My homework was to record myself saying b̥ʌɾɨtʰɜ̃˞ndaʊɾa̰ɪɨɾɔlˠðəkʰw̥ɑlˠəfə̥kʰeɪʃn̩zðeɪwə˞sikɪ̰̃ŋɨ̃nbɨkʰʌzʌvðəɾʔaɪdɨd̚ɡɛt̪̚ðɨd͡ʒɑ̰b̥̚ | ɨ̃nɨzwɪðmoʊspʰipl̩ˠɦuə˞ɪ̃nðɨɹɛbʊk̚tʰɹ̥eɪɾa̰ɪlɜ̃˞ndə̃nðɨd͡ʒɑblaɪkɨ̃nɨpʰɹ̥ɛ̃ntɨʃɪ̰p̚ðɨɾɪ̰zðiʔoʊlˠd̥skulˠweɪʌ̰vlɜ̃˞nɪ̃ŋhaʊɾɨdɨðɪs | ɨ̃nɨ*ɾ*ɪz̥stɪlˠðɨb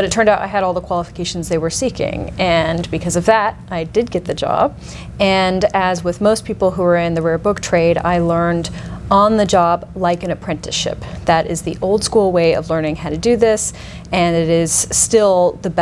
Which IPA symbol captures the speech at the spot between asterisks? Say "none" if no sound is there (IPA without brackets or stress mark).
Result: ɾ